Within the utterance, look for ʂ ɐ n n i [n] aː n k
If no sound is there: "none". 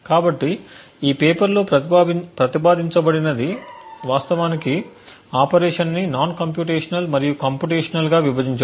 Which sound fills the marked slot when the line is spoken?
n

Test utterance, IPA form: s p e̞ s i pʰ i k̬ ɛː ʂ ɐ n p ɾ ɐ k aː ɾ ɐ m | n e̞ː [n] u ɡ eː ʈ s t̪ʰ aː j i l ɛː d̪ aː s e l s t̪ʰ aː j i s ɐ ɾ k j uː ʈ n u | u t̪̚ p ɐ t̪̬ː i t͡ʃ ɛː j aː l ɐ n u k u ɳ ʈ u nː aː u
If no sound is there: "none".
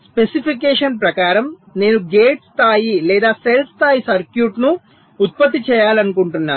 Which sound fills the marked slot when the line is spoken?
n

